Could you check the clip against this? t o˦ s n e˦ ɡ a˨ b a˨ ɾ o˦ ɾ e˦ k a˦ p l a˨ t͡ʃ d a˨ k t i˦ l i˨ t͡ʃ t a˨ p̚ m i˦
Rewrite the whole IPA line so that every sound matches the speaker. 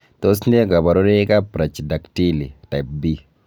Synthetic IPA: t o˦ s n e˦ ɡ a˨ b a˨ ɾ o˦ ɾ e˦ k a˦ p ɾ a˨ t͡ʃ d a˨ k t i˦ l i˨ t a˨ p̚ b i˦